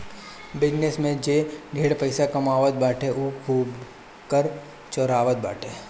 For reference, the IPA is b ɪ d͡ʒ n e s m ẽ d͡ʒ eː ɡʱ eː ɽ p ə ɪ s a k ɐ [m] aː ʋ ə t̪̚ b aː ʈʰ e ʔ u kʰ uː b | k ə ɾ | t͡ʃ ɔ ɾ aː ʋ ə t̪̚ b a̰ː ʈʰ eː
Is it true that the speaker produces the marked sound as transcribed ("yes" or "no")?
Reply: yes